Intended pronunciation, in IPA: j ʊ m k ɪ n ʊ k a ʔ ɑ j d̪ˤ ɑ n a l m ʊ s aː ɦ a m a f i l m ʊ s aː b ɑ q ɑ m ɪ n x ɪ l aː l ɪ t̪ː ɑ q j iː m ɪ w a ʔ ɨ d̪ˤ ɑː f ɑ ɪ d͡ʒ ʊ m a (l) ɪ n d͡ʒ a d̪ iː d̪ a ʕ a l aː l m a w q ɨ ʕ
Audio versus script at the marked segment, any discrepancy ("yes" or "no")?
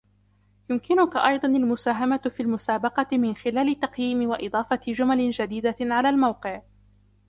no